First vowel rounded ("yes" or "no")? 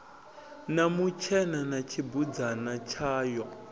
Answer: no